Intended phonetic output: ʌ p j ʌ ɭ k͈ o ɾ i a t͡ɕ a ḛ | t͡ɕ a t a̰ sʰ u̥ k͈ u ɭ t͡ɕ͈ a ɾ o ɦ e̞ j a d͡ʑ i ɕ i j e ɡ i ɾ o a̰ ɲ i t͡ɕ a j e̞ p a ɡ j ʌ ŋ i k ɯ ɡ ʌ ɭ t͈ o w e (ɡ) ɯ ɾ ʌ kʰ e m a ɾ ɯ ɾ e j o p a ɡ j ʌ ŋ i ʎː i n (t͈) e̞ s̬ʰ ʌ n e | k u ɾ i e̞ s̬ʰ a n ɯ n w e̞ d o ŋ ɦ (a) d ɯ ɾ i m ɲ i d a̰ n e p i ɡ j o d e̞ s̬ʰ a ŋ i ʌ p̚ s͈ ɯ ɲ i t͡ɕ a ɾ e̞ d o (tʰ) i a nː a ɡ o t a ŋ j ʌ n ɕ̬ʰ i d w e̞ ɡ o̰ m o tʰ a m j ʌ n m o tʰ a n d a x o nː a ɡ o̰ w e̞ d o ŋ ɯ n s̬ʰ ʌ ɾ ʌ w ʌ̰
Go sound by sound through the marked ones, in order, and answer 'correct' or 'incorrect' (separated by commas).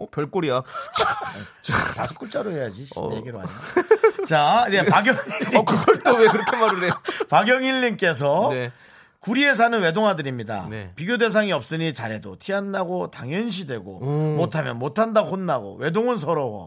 incorrect, incorrect, correct, correct